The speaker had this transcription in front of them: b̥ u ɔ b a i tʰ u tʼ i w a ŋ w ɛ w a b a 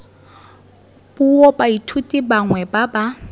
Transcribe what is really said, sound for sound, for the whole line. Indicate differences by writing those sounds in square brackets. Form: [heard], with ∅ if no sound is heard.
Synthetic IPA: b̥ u ɔ b a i tʰ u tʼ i [b] a ŋ w ɛ [b] a b a